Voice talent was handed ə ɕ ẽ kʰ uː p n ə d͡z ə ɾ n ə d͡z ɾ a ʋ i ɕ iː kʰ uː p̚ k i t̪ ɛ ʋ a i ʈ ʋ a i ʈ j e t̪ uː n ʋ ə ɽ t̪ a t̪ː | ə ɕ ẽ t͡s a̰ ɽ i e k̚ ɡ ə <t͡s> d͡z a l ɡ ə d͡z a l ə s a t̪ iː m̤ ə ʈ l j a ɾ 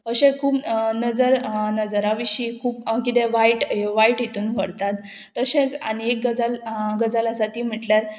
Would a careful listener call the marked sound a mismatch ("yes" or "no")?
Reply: yes